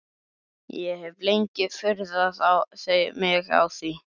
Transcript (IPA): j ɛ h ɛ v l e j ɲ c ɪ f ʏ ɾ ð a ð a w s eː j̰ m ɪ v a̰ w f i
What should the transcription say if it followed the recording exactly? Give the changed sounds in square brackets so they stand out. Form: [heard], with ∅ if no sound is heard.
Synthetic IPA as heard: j ɛ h ɛ v l e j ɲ c ɪ f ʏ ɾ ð a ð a w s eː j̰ m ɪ [ɣ] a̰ w [θ] i